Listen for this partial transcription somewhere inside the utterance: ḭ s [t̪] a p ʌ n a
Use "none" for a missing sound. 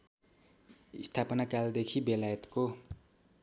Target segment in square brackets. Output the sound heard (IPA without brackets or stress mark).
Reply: t̪ʰ